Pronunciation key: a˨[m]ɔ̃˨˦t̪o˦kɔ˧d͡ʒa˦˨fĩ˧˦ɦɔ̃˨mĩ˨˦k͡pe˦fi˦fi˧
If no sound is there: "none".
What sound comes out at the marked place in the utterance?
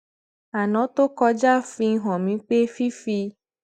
n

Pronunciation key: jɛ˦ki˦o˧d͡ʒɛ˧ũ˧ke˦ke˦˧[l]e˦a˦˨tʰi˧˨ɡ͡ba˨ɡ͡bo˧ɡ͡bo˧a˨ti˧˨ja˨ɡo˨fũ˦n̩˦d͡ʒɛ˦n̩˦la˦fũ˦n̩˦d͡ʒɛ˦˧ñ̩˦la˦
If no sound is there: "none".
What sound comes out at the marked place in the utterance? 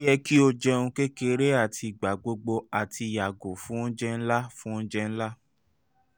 ɾ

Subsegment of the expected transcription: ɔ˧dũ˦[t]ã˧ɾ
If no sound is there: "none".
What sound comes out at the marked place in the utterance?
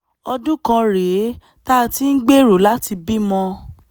k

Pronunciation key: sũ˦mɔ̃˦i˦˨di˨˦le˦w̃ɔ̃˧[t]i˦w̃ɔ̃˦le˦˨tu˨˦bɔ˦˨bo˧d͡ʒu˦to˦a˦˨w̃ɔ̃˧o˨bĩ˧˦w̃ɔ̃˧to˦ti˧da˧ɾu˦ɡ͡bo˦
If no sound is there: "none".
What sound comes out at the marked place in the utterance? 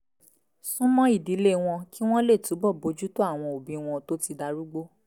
k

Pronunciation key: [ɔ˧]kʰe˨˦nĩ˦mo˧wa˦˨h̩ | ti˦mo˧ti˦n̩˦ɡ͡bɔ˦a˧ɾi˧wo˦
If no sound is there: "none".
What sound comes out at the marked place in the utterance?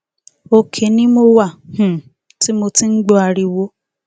o˧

